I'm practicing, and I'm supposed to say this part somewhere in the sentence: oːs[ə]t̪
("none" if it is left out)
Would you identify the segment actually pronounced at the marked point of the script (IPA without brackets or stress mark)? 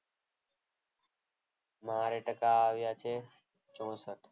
ə